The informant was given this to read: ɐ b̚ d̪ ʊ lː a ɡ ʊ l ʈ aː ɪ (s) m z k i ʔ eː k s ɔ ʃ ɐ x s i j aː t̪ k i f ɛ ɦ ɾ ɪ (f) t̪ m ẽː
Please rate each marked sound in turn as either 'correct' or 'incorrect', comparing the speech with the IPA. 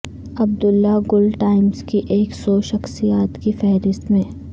incorrect, incorrect

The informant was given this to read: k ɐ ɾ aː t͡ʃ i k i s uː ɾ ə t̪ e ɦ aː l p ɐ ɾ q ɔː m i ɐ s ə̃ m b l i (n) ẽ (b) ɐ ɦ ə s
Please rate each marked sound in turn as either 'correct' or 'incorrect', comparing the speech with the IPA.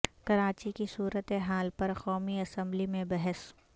incorrect, correct

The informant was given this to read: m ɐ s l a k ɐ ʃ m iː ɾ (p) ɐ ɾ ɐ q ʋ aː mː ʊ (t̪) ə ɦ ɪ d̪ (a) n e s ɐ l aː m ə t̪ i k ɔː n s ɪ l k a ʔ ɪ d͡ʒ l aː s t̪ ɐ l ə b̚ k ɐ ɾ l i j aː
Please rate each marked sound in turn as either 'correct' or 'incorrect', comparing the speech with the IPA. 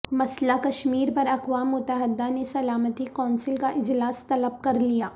correct, correct, correct

